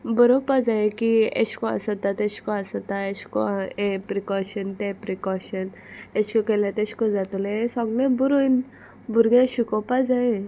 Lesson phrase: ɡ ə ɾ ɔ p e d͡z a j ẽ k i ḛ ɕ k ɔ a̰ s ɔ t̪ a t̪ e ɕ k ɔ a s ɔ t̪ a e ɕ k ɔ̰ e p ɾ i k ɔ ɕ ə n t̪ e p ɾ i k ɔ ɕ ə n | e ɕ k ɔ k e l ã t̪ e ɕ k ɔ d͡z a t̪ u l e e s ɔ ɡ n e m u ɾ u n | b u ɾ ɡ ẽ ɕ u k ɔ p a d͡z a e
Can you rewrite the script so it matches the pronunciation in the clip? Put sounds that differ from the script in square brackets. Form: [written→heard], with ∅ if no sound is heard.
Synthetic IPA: [ɡ→b] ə ɾ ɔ p [e→a] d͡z a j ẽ k i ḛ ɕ k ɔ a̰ s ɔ t̪ a t̪ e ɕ k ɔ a s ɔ t̪ a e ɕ k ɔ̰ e p ɾ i k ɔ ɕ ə n t̪ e p ɾ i k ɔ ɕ ə n | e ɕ k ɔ k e l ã t̪ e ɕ k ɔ d͡z a t̪ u l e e s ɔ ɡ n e [m→b] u ɾ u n | b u ɾ ɡ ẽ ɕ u k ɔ p a d͡z a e